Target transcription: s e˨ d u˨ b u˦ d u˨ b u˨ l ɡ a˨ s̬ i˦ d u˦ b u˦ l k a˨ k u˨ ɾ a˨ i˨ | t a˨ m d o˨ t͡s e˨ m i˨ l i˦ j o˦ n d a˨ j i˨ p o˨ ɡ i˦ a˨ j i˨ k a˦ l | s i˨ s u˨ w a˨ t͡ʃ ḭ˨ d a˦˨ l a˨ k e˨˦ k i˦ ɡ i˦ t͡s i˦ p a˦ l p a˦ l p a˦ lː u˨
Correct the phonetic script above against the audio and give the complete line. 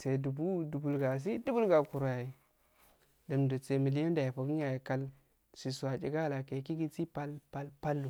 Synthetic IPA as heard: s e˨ d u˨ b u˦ d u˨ b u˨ l ɡ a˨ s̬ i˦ d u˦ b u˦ l ɡ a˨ k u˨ ɾ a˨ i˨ | d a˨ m d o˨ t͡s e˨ m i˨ l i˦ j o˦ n d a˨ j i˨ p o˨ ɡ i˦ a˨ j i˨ k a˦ l | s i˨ s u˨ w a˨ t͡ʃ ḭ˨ ɡ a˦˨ l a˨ k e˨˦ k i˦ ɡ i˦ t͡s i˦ p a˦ l p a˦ l p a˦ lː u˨